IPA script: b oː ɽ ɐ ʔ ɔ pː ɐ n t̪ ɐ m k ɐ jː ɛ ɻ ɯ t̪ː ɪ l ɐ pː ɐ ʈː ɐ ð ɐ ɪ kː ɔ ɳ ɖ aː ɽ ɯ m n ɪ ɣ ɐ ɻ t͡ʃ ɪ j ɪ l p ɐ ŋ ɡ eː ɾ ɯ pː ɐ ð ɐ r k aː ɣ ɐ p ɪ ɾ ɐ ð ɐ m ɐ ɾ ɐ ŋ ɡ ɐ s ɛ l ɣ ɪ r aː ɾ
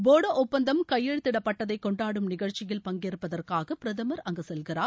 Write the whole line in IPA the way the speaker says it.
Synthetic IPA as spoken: b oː ɽ ɐ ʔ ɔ pː ɐ n d̪ ɐ m k ɐ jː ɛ ɻ ɯ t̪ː ɪ ɽ ɐ pː ɐ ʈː ɐ ð ɐ ɪ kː ɔ ɳ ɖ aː ɽ ɯ m n ɪ ɣ ɐ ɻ t͡ʃ ɪ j ɪ l p ɐ ŋ ɡ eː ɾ ɯ pː ɐ ð ɐ r k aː ɣ ɐ p ɪ ɾ ɐ ð ɐ m ɐ ɾ ɐ ŋ ɡ ɐ s ɛ l ɣ ɪ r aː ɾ